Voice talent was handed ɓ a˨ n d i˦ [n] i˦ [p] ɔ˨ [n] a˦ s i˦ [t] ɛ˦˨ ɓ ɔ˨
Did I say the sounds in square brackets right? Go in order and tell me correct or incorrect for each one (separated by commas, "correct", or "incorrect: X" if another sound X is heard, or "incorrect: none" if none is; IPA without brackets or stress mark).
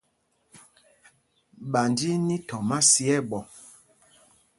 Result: correct, incorrect: t, incorrect: m, incorrect: none